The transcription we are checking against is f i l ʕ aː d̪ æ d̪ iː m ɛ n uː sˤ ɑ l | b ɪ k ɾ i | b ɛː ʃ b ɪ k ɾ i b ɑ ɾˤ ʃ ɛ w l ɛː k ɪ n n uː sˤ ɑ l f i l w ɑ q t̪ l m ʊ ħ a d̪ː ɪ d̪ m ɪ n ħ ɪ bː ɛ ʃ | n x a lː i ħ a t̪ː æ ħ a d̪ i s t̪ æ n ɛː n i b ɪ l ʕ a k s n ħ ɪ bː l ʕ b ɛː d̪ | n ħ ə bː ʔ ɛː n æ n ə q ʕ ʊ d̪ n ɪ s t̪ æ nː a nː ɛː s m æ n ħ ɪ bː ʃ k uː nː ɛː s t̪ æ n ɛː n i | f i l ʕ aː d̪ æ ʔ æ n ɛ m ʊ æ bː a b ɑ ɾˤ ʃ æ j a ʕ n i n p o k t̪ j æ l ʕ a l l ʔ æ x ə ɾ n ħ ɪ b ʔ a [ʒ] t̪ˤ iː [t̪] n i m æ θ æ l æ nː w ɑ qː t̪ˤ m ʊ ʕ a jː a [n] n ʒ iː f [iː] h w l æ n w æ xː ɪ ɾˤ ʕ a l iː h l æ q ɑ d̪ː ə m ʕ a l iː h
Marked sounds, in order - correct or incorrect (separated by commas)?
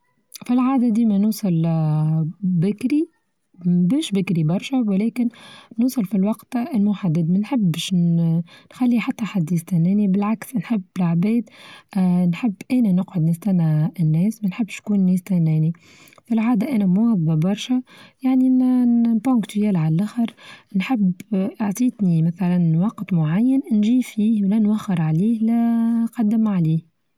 incorrect, correct, correct, correct